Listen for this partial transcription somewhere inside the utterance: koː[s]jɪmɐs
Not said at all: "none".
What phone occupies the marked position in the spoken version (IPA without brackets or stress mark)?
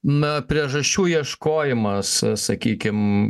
none